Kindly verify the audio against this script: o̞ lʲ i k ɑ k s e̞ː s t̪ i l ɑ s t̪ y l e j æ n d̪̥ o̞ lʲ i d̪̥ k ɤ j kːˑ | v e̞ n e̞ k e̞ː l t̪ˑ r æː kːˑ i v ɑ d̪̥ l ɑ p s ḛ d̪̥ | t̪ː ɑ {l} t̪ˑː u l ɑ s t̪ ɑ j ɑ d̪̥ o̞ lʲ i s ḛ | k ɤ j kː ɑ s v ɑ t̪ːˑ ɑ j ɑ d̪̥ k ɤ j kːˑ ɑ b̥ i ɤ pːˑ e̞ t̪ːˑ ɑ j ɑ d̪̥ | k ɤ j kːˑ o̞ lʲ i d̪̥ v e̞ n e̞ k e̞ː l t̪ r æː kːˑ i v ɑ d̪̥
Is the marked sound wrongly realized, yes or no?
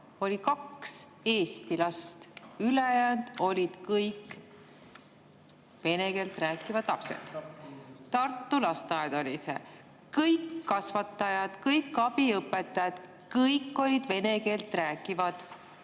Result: yes